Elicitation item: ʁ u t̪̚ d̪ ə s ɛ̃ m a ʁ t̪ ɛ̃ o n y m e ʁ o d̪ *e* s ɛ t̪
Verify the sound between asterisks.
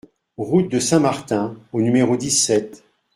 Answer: incorrect: i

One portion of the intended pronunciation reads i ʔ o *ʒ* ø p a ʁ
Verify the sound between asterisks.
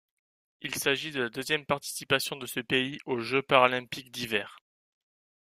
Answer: correct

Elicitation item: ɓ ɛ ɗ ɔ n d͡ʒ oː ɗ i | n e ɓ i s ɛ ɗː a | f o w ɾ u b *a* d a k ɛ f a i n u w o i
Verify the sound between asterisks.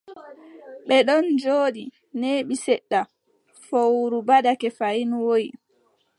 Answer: correct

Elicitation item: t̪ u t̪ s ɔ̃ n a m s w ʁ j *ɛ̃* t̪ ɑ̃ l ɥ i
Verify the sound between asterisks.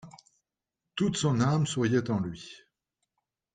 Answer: incorrect: ɛ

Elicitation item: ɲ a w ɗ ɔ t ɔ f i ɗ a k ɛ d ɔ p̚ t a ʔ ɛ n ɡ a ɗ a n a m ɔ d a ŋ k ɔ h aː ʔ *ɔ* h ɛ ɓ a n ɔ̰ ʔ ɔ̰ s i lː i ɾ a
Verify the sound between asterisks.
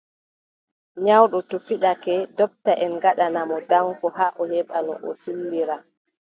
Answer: correct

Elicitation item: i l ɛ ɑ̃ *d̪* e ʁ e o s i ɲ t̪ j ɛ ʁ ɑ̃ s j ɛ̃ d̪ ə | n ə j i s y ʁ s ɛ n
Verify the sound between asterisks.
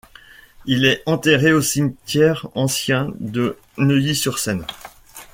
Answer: incorrect: t̪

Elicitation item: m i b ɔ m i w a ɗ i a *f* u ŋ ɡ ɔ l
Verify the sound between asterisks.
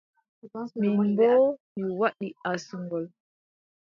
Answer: incorrect: s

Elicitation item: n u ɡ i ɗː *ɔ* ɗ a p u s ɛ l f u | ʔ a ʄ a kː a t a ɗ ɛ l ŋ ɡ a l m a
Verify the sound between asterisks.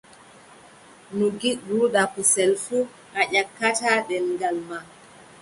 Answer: incorrect: u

